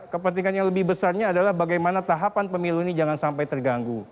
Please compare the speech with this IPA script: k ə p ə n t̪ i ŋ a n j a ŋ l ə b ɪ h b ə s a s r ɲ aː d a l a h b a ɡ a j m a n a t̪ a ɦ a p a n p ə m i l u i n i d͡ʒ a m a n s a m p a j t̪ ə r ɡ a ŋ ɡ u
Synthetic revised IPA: k ə p ə n t̪ i ŋ a n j a ŋ l ə b ɪ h b ə s a r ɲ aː d a l a h b a ɡ a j m a n a t̪ a ɦ a p a n p ə m i l u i n i d͡ʒ a ŋ a n s a m p a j t̪ ə r ɡ a ŋ ɡ u